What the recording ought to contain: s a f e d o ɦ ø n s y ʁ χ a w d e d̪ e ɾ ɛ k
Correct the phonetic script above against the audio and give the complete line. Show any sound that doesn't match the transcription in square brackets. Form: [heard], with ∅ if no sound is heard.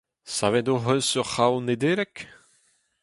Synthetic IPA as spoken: s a [v] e d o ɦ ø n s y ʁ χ a w [n] e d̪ e ɾ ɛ k